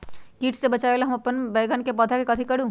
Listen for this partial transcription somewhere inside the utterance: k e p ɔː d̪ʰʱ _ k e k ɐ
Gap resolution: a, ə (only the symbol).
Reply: a